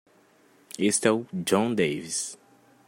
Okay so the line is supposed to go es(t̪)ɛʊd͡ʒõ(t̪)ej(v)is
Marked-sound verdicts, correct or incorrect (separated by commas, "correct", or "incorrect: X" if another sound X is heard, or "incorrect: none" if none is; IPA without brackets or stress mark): correct, incorrect: d̪, correct